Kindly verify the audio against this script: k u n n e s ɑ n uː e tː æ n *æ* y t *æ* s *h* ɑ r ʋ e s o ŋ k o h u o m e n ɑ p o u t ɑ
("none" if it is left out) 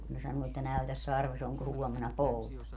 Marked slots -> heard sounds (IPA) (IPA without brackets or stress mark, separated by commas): æ, æ, s